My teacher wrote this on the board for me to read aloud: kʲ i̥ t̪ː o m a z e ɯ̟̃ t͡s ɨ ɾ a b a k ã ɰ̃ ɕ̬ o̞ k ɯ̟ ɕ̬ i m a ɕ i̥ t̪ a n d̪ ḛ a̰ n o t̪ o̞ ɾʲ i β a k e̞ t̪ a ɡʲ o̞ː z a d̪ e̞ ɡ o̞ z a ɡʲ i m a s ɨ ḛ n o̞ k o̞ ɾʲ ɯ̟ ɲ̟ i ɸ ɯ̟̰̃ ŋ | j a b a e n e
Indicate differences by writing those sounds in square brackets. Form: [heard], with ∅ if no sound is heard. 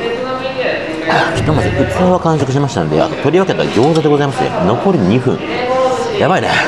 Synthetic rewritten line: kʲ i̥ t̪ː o m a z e [ɯ̟] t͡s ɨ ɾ a [β] a k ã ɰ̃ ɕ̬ o̞ k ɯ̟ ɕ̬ i m a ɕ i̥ t̪ a n d̪ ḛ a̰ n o t̪ o̞ ɾʲ i β a k e̞ t̪ a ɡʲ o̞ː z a d̪ e̞ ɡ o̞ z a [∅] i m a s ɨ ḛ n o̞ k o̞ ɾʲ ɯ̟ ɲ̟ i ɸ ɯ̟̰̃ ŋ | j a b a [i] n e